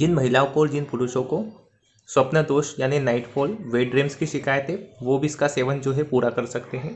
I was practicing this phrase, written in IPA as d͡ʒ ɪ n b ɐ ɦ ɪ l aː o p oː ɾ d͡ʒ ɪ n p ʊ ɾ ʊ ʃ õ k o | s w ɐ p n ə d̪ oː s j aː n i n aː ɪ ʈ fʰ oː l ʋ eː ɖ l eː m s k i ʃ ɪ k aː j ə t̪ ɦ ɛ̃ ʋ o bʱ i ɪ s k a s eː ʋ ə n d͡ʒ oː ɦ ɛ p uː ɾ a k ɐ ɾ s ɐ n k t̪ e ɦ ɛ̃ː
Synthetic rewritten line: d͡ʒ ɪ n m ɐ ɦ ɪ l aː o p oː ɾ d͡ʒ ɪ n p ʊ ɾ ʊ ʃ õ k o | s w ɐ p n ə d̪ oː ʃ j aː n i n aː ɪ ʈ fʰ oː l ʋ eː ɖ ɾ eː m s k i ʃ ɪ k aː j ə t̪ ɦ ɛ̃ ʋ o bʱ i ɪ s k a s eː ʋ ə n d͡ʒ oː ɦ ɛ p uː ɾ a k ɐ ɾ s ɐ k t̪ e ɦ ɛ̃ː